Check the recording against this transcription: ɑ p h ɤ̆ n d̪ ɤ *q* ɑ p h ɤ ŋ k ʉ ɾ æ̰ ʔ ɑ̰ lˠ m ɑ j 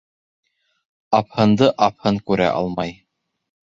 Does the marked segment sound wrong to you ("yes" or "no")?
yes